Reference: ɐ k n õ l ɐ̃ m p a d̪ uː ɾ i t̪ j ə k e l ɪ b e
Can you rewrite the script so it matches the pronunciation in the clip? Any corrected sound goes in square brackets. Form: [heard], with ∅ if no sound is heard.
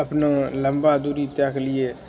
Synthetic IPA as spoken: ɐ [p] n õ l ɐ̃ m [b] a d̪ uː ɾ i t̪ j [a] k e l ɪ [∅] e